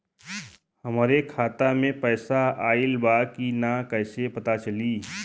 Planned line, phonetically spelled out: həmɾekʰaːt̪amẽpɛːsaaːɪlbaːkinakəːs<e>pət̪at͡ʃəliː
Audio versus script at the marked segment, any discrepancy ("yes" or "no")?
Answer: no